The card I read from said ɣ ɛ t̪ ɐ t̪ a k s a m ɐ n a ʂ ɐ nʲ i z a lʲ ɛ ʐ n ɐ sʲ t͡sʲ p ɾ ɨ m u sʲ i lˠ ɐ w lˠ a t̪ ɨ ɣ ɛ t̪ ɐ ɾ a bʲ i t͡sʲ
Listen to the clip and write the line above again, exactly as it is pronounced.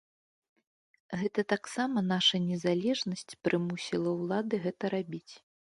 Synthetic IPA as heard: ɣ ɛ t̪ ɐ t̪ a k s a m ɐ n a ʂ ɐ nʲ ɛ z a lʲ ɛ ʐ n ɐ sʲ t͡sʲ p ɾ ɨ m u sʲ i lˠ ɐ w lˠ a d̪ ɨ ɣ ɛ t̪ ɐ ɾ a bʲ i t͡sʲ